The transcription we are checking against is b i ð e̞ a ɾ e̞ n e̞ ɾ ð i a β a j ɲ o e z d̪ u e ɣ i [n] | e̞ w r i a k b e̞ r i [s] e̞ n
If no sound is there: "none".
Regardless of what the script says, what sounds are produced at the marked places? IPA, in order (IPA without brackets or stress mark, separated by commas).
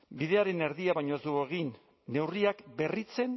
nː, t͡s